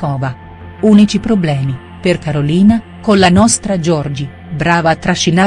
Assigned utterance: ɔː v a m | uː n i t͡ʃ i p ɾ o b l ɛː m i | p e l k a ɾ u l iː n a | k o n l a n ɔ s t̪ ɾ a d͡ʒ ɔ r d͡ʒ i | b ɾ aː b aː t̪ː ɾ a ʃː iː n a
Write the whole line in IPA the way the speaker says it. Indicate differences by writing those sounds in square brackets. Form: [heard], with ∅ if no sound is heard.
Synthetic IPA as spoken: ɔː v a [∅] | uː n i t͡ʃ i p ɾ o b l ɛː m i | p e [r] k a ɾ [o] l iː n a | k o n l a n ɔ s t̪ ɾ a d͡ʒ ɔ r d͡ʒ i | b ɾ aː [v] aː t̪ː ɾ a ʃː [i] n a